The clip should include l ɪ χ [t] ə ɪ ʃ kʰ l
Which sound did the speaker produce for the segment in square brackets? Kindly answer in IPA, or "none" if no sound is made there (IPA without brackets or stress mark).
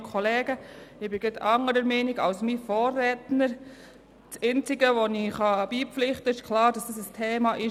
t